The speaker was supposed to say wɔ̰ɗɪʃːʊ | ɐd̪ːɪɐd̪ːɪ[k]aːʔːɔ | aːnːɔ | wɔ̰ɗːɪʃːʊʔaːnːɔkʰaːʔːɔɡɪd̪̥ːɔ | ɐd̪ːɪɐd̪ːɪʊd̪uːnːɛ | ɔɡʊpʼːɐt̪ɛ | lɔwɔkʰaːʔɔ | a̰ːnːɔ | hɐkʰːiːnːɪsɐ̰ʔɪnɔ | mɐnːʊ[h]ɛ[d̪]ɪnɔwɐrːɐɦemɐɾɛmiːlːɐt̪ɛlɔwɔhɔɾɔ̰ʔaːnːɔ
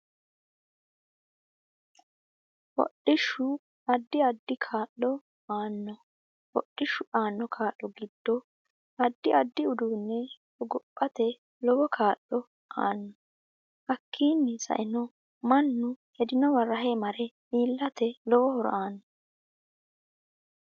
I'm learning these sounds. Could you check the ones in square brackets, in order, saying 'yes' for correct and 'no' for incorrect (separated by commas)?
no, yes, yes